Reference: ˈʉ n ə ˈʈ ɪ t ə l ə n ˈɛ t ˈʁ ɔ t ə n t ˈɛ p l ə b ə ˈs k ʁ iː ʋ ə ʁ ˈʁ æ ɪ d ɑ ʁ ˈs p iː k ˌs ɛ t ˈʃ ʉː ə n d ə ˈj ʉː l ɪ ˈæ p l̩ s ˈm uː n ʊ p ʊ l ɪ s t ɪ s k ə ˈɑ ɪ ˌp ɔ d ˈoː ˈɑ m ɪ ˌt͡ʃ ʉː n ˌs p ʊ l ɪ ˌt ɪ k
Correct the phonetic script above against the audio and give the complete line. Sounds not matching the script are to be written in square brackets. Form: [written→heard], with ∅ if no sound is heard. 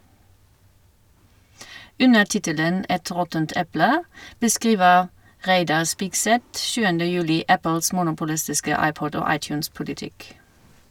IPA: ˈʉ n ə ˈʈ ɪ t ə l ə n ˈɛ t ˈʁ ɔ t ə n t ˈɛ p l ə b ə ˈs k ʁ iː ʋ ə ʁ ˈʁ æ ɪ d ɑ ʁ ˈs p iː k ˌs ɛ t ˈʃ ʉː ə n d ə ˈj ʉː l ɪ ˈæ p l̩ s ˈm uː n ʊ p ʊ l ɪ s t ɪ s k ə ˈɑ ɪ ˌp ɔ d ˈoː ˈɑ [m→∅] ɪ ˌt͡ʃ ʉː n ˌs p ʊ l ɪ ˌt ɪ k